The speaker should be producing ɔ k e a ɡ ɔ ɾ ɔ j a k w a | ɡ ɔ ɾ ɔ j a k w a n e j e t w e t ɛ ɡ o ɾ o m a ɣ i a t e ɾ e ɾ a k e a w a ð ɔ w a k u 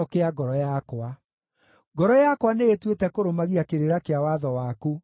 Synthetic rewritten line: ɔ k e a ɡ ɔ ɾ ɔ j a k w a | ɡ ɔ ɾ ɔ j a k w a n e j e t w e t ɛ k o ɾ o m a ɣ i a k e ɾ e ɾ a k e a w a ð ɔ w a k u